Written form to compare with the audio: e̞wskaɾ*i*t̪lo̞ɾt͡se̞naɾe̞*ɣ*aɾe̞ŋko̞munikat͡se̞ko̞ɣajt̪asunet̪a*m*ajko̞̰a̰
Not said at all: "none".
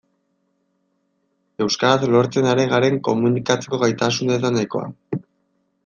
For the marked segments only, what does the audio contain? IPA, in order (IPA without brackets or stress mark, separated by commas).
a, ɣ, n